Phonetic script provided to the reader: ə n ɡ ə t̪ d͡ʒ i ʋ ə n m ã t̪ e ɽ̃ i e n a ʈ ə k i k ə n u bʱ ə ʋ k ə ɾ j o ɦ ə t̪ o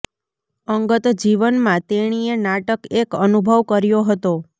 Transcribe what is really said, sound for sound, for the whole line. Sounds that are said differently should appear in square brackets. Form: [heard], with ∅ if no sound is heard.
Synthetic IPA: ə [ŋ] ɡ ə t̪ d͡ʒ i ʋ ə n m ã t̪ e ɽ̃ i e n a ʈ ə k [e] k ə n u bʱ ə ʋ k ə ɾ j o ɦ ə t̪ o